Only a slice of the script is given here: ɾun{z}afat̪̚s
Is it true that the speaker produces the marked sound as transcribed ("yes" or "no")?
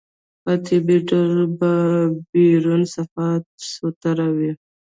no